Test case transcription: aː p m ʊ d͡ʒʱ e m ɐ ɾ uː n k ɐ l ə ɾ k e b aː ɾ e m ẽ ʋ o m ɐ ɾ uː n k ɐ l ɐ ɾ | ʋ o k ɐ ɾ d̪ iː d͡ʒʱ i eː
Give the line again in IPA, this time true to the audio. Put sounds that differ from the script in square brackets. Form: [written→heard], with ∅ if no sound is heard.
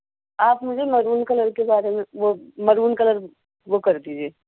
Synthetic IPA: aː p m ʊ d͡ʒʱ e m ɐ ɾ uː n k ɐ l ə ɾ k e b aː ɾ e m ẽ ʋ o m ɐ ɾ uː n k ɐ l [ɐ→ə] ɾ | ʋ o k ɐ ɾ d̪ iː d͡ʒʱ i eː